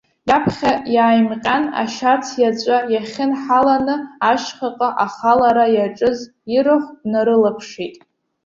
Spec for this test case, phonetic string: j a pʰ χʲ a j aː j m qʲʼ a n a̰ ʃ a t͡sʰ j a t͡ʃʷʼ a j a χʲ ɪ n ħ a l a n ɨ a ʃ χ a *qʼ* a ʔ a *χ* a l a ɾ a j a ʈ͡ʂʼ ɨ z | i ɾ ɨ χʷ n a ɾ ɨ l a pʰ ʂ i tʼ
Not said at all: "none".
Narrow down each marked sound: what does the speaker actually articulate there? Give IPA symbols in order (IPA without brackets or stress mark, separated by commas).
qʼ, χ